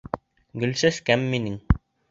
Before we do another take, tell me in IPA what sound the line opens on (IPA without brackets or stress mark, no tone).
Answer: ɡ